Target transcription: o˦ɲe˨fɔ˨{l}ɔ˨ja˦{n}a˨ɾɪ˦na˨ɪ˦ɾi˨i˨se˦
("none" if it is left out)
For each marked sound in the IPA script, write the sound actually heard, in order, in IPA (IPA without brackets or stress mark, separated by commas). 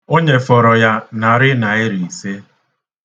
ɾ, n